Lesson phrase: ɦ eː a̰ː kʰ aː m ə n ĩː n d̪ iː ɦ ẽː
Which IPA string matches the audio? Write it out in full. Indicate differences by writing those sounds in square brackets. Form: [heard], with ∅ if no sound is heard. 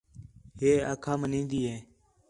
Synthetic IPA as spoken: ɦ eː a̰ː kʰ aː m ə n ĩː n d̪ iː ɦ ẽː